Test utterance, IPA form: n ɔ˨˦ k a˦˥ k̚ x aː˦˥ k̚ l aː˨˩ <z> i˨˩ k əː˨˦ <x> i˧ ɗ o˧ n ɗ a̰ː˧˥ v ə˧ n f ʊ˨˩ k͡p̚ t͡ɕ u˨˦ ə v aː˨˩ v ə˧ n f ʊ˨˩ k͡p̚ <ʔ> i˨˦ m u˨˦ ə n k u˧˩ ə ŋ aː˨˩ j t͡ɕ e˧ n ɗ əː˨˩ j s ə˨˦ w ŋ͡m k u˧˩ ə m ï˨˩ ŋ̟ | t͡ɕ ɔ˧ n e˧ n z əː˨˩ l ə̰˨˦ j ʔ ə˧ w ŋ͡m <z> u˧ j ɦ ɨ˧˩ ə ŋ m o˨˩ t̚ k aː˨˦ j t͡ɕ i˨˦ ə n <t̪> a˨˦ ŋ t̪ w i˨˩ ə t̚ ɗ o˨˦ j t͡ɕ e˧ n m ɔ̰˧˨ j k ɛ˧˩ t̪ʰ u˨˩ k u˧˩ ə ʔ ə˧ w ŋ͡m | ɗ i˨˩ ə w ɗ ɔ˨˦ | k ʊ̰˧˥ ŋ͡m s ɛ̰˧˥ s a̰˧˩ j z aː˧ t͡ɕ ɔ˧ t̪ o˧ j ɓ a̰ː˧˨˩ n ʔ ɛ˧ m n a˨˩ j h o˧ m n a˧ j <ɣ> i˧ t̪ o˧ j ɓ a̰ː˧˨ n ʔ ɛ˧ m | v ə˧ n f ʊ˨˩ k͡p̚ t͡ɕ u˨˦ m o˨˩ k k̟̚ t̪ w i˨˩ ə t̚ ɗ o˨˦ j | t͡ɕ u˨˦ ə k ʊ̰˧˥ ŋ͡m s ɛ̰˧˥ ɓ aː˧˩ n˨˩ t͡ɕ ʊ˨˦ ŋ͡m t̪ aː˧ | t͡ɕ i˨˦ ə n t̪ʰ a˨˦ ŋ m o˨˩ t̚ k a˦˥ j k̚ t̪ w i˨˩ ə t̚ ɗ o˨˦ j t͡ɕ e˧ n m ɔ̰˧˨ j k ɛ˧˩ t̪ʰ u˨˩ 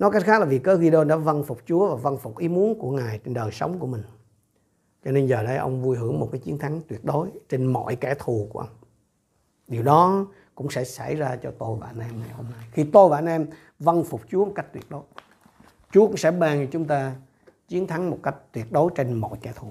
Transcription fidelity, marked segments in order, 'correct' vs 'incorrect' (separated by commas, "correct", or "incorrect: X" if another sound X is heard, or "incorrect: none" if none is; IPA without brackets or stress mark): incorrect: v, incorrect: ɣ, correct, incorrect: v, incorrect: t̪ʰ, incorrect: x